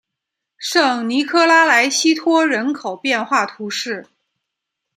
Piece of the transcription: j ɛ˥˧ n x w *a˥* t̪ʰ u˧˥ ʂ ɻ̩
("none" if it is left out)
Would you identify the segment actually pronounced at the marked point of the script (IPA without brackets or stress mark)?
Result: a˥˩